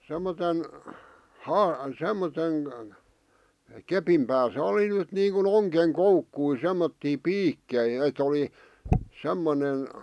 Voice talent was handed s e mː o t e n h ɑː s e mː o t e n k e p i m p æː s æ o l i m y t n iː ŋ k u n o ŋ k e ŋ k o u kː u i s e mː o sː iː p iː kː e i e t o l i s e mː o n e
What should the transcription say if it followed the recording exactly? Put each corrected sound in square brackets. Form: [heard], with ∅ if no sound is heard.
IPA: s e mː o t e n h ɑː s e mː o t e n k e p i m p æː s æ o l i [n] y t n iː ŋ k u n o ŋ k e ŋ k o u kː u i s e mː o [tː] iː p iː kː e i e t o l i s e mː o n e